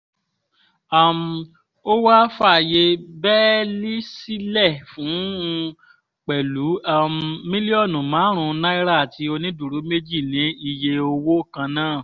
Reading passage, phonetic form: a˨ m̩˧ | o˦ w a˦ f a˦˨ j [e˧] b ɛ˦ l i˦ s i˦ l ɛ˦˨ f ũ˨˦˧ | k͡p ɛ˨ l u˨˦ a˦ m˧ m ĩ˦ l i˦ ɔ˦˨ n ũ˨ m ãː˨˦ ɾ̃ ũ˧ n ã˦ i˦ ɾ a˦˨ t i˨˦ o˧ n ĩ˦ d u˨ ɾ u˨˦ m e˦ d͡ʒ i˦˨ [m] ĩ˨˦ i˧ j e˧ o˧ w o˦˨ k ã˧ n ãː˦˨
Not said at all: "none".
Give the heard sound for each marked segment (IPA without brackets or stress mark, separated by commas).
e˧, n